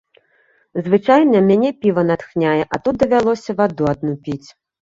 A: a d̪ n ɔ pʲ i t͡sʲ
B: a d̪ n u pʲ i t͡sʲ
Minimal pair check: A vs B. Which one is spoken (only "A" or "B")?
B